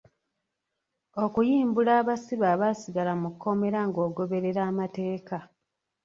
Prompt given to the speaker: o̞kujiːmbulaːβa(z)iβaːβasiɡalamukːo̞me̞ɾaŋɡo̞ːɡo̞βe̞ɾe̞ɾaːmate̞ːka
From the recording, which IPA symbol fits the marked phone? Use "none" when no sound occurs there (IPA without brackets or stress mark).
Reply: s